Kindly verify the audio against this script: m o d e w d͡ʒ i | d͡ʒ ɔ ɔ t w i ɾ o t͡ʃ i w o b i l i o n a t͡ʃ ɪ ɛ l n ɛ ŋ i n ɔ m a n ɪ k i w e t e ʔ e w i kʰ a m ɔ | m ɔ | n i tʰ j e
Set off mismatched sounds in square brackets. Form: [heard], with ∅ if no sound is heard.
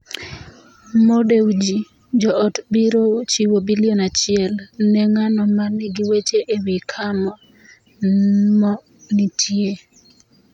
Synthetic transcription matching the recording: m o d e w d͡ʒ i | d͡ʒ ɔ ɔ t [b] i ɾ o t͡ʃ i w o b i l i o n a t͡ʃ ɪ ɛ l n ɛ ŋ [a] n ɔ m a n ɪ [ɡ] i w e [t͡ʃ] e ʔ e w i kʰ a m ɔ | m ɔ | n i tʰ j e